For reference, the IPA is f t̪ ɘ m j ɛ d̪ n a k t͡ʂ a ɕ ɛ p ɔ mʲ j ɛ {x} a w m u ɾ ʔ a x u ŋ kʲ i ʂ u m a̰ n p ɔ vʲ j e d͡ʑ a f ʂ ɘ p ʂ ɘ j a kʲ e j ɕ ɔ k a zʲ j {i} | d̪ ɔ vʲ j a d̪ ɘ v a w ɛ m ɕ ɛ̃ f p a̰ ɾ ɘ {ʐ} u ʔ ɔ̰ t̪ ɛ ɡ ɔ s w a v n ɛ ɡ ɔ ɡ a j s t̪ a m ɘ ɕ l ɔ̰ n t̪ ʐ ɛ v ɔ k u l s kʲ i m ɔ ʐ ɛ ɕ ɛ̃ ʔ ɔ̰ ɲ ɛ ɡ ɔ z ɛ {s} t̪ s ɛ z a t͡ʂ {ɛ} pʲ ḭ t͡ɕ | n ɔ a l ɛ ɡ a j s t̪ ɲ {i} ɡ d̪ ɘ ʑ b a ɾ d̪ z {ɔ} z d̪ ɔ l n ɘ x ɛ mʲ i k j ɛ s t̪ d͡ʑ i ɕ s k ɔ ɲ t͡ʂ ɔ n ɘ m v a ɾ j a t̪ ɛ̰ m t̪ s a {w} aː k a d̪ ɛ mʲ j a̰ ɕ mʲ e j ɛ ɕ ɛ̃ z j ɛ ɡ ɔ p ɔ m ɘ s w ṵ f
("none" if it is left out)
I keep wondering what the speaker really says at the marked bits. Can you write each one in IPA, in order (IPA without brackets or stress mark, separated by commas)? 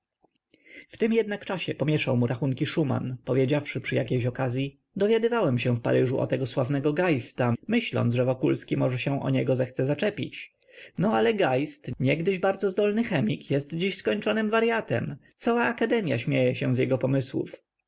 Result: ʂ, i, ʐ, x, ɛ, ɛ, ɔ, w